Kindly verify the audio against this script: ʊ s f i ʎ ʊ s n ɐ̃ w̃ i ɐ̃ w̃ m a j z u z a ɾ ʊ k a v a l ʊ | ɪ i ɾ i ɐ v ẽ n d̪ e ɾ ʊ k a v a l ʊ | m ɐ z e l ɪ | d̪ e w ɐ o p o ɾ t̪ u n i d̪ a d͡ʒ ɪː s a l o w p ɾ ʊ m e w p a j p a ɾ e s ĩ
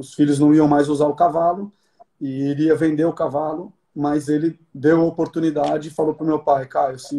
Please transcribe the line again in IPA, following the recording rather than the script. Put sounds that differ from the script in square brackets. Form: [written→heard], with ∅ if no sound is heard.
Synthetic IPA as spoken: ʊ s f i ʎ ʊ [s→z] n ɐ̃ w̃ i ɐ̃ w̃ m a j z u z a ɾ ʊ k a v a l ʊ | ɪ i ɾ i ɐ v ẽ n d̪ e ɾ ʊ k a v a l ʊ | m ɐ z e l ɪ | d̪ e w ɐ o p o ɾ t̪ u n i d̪ a d͡ʒ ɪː [s→f] a l o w p ɾ ʊ m e w p a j [p→k] a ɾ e s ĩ